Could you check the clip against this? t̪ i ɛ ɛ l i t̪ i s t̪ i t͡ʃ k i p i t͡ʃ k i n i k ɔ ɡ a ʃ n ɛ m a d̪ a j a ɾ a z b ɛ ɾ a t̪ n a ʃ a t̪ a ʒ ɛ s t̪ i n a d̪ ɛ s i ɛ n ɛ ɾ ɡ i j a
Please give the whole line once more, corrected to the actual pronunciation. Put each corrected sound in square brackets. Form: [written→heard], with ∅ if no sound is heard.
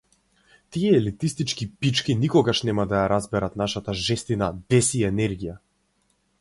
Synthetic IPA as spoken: t̪ i ɛ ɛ l i t̪ i s t̪ i t͡ʃ k i p i t͡ʃ k i n i k ɔ ɡ a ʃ n ɛ m a d̪ a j a ɾ a z b ɛ ɾ a t̪ n a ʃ a t̪ a ʒ ɛ s t̪ i n a d̪ ɛ s i ɛ n ɛ ɾ ɡ i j a